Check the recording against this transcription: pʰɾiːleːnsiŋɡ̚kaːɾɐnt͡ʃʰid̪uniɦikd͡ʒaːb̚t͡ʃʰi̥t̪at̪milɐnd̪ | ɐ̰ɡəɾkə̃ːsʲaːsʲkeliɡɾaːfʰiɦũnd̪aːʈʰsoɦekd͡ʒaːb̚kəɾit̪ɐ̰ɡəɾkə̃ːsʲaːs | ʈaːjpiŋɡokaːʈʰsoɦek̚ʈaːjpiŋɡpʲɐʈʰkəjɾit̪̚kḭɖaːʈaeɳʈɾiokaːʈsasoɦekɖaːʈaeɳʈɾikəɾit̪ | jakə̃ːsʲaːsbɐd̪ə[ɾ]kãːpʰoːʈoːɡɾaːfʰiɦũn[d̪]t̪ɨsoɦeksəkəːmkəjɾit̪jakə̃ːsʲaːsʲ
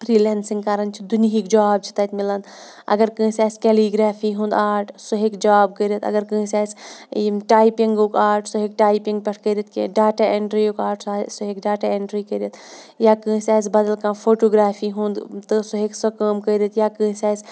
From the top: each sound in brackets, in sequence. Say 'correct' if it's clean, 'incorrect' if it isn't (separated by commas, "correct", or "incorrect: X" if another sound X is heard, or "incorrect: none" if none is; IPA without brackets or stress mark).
incorrect: l, correct